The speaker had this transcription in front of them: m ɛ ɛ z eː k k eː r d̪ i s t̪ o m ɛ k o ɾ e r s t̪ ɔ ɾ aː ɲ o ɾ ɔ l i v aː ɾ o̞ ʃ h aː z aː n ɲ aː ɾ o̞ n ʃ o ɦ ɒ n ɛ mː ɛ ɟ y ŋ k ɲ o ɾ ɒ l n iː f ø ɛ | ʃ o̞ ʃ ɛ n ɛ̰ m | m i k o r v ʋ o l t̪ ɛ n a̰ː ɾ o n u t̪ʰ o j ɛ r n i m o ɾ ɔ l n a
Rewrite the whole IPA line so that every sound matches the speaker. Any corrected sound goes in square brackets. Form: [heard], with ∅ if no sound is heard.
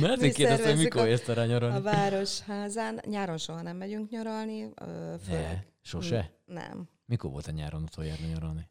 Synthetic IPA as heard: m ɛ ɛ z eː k k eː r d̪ [ɛ] s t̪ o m [i] k o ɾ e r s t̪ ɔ ɾ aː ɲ o ɾ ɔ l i v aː ɾ o̞ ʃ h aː z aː n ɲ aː ɾ o̞ n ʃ o ɦ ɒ n ɛ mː ɛ ɟ y ŋ k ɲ o ɾ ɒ l n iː f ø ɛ | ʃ o̞ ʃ ɛ n ɛ̰ m | m i k o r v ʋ o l t̪ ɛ [ɲ] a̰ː ɾ o n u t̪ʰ o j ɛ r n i [ɲ] o ɾ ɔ l n [i]